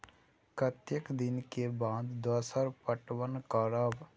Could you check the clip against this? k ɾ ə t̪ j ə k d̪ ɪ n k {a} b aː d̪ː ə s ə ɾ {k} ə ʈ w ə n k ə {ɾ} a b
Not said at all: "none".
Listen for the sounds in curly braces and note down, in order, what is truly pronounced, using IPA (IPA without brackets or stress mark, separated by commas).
e, p, ɾ